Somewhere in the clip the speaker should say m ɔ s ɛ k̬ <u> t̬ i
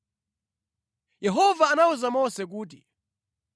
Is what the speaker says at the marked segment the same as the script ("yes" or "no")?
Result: no